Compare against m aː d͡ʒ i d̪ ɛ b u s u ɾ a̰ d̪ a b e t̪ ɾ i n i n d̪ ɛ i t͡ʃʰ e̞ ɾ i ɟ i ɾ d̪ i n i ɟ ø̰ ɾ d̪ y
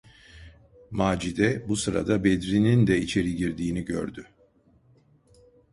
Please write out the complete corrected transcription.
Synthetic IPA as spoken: m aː d͡ʒ i d̪ ɛ b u s ɯ ɾ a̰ d̪ a b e d̪ ɾ i n i n d̪ ɛ i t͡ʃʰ e̞ ɾ i ɟ i ɾ d̪ iː n i ɟ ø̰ ɾ d̪ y